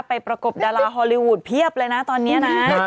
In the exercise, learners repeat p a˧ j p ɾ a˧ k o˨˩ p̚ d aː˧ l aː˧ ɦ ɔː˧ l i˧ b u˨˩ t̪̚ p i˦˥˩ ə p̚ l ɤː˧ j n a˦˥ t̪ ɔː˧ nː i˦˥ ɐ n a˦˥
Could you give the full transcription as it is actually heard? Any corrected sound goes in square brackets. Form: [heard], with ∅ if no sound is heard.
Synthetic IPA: p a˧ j p ɾ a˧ k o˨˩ p̚ d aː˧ l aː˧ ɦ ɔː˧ l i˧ [w] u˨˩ t̪̚ [pʰ] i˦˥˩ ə p̚ l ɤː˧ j n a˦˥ t̪ ɔː˧ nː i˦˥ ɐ n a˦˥